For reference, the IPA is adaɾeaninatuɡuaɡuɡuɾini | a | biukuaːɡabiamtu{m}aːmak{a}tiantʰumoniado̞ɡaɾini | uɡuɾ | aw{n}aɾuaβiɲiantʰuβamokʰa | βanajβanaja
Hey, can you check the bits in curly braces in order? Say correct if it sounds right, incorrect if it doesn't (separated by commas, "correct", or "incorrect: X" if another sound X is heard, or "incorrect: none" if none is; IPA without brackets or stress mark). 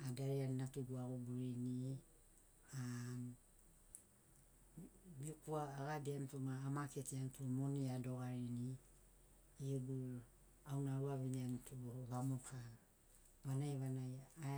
correct, incorrect: e, correct